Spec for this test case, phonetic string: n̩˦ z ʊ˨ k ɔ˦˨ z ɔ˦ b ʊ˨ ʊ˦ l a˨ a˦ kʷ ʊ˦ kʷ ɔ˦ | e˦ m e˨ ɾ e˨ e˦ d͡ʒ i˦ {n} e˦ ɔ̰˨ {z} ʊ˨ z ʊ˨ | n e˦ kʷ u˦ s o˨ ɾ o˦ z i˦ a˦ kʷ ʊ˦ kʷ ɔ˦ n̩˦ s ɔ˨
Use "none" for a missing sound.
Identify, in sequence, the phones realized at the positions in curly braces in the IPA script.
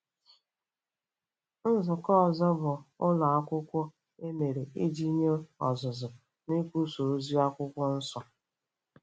ɲ, z

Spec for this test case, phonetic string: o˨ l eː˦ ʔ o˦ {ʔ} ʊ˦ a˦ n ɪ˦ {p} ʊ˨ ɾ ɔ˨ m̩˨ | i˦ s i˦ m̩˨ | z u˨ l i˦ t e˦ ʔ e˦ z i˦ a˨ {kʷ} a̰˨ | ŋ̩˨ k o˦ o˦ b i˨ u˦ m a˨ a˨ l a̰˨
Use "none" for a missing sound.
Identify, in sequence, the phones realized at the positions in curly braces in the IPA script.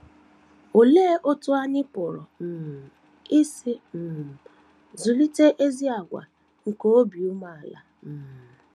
t, p, ɡʷ

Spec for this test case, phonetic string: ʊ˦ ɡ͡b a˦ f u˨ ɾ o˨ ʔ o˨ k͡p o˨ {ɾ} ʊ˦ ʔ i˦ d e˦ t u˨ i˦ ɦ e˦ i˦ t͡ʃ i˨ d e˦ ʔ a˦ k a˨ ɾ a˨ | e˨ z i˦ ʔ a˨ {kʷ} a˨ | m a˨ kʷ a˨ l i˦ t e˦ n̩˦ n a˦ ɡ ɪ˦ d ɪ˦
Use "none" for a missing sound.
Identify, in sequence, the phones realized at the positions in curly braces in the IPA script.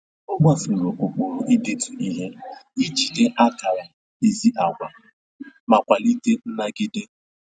ɾ, ɡʷ

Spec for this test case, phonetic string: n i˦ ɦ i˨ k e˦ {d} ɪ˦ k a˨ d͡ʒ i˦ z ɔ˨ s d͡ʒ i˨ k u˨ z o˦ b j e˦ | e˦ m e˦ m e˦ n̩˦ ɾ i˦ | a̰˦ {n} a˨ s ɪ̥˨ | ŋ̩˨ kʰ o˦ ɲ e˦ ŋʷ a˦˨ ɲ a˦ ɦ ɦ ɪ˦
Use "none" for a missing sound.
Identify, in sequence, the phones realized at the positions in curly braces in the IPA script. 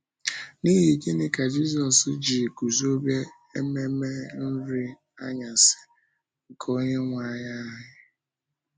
n, ɲ

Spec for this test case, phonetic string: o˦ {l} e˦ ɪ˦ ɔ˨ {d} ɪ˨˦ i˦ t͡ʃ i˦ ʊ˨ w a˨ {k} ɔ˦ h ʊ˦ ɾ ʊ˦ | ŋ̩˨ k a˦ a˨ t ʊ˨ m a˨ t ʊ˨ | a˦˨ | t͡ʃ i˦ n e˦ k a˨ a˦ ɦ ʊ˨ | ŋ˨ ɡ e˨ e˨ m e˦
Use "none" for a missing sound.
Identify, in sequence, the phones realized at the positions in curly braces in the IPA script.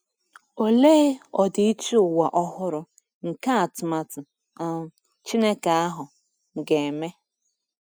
l, d, ʔ

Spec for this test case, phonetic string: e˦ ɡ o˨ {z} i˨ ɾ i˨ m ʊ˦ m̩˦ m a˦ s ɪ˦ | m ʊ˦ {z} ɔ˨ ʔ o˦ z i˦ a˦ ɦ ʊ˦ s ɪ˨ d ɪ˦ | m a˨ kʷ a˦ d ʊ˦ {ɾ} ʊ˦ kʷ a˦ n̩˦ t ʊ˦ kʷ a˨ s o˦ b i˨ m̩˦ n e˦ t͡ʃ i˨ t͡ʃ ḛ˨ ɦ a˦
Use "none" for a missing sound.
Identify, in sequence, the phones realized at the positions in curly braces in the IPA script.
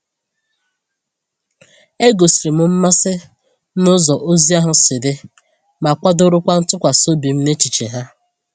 s, z, ɾ

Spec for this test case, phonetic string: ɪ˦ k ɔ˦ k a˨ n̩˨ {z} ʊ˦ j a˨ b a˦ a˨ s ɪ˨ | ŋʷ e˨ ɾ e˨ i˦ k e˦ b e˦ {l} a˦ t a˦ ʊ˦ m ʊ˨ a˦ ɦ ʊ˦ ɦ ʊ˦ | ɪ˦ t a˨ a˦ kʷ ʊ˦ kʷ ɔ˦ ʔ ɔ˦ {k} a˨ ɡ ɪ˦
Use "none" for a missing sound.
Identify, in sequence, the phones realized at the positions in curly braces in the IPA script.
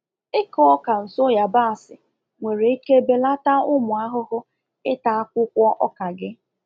s, l, k

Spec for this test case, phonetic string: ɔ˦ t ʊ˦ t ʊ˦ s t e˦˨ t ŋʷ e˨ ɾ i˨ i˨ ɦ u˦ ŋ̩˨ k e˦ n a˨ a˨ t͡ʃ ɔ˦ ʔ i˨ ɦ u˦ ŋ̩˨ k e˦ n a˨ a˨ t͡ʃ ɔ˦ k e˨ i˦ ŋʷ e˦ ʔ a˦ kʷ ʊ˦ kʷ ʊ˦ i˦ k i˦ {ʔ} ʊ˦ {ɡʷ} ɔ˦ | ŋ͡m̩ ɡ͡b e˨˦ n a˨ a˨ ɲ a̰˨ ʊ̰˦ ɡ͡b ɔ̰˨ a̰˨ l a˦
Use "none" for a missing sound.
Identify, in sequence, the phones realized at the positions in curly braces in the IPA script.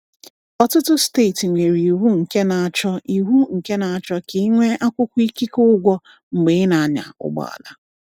k, ɡʷ

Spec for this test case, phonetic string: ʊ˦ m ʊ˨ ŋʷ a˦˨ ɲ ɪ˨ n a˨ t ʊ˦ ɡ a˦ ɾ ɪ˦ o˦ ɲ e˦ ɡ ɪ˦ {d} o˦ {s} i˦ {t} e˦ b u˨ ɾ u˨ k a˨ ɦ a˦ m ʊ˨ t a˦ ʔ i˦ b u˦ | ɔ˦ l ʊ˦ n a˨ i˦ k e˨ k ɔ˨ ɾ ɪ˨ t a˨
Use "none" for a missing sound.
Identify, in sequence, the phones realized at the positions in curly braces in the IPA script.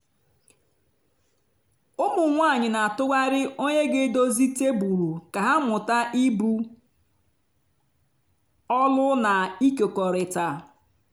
d, z, t

